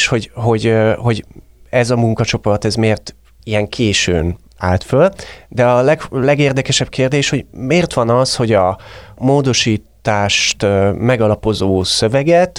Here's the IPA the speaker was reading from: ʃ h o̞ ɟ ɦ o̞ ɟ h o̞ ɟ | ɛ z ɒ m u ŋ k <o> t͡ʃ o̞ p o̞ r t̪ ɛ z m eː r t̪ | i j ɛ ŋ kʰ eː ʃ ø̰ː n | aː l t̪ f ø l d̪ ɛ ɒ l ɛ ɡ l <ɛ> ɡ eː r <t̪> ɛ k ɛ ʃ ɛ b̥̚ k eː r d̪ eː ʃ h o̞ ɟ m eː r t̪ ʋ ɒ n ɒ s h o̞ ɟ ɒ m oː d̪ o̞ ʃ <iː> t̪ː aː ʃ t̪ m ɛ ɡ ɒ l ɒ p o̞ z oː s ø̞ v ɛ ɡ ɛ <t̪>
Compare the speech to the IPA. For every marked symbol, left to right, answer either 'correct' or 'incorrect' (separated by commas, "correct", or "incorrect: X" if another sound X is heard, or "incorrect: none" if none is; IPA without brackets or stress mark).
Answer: incorrect: ɒ, correct, incorrect: d̪, correct, correct